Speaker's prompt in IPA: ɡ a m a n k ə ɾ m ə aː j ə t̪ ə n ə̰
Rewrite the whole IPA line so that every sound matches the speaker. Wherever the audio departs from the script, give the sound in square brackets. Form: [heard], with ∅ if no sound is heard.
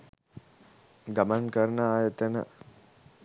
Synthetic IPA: ɡ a m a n k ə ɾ [n] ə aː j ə t̪ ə n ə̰